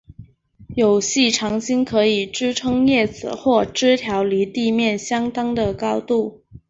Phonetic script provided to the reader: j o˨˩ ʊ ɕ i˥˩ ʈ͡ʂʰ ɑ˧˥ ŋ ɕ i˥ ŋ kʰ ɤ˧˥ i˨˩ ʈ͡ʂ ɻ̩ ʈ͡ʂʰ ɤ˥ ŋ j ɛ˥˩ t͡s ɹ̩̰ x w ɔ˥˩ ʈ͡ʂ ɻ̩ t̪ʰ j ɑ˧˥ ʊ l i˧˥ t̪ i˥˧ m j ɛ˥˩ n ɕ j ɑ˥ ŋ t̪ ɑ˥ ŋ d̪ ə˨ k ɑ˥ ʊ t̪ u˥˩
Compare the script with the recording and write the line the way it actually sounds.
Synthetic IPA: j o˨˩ ʊ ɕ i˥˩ ʈ͡ʂʰ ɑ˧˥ ŋ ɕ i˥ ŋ kʰ ɤ˧˥ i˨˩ ʈ͡ʂ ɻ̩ ʈ͡ʂʰ ɤ˥ ŋ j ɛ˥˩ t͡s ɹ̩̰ x w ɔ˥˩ ʈ͡ʂ ɻ̩ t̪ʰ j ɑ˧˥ ʊ l i˧˥ t̪ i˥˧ m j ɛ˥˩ n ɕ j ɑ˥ ŋ t̪ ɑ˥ ŋ d̪ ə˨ k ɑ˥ ʊ t̪ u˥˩